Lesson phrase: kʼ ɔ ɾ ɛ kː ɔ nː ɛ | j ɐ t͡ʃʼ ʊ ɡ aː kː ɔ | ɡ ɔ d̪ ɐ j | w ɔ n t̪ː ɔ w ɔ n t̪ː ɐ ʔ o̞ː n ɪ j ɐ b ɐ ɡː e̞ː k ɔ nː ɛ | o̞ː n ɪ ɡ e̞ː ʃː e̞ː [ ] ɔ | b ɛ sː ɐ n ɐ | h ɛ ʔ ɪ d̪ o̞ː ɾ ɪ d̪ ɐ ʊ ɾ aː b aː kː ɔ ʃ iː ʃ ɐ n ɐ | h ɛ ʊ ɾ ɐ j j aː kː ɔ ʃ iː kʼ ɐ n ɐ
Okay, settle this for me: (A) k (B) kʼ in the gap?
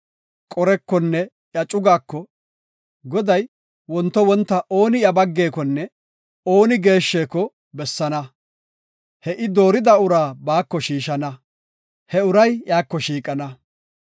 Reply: A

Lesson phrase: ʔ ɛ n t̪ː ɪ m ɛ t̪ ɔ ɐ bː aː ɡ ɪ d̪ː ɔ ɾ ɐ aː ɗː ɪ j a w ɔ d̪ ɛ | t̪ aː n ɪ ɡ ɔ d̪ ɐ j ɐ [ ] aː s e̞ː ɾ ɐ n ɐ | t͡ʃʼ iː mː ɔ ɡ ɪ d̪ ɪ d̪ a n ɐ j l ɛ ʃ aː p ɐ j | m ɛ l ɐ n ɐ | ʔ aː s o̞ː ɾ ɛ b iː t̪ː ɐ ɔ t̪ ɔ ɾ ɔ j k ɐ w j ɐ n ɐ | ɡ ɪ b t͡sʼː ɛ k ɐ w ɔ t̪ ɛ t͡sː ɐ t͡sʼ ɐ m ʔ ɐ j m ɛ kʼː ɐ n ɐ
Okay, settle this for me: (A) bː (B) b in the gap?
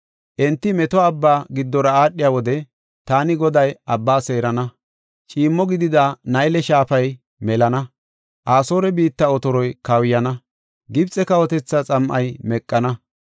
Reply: A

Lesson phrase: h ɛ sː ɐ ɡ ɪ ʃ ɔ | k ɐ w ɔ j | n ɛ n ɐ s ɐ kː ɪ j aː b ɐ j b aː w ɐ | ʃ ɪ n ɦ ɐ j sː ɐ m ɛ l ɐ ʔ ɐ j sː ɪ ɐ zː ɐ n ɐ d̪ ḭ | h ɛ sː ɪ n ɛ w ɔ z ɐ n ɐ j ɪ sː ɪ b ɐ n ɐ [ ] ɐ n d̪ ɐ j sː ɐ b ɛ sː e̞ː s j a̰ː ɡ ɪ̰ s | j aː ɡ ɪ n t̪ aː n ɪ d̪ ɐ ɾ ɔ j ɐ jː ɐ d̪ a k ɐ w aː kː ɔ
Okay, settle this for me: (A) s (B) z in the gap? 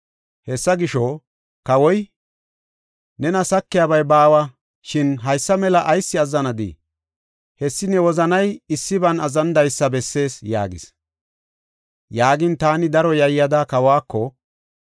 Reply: B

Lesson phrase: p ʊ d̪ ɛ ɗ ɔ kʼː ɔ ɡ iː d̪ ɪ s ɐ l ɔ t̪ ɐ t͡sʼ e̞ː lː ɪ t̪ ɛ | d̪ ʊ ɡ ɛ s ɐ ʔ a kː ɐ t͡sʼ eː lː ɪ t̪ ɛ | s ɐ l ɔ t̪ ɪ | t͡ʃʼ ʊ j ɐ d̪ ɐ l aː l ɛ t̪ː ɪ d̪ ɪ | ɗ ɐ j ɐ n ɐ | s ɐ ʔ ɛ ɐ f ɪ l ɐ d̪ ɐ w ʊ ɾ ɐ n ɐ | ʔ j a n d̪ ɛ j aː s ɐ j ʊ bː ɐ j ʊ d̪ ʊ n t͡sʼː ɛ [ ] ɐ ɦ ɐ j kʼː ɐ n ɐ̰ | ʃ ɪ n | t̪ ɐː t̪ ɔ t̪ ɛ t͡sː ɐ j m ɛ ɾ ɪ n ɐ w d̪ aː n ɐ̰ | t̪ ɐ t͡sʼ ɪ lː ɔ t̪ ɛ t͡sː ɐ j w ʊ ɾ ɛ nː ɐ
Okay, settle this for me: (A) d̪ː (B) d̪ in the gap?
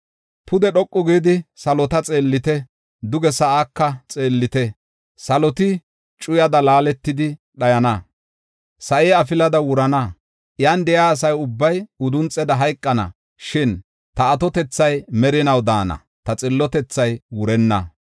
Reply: B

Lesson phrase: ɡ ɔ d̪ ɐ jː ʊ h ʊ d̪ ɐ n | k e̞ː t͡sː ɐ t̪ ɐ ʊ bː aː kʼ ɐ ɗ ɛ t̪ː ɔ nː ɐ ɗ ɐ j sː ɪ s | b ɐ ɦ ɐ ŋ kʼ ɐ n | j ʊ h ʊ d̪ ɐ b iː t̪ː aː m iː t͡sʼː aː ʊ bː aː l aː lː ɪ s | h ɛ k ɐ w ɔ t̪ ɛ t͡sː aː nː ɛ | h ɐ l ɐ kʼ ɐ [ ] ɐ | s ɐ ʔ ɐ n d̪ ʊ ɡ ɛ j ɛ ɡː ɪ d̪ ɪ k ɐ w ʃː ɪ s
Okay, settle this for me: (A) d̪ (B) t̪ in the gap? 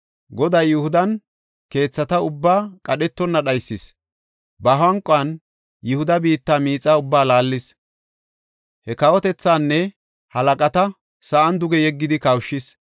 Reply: B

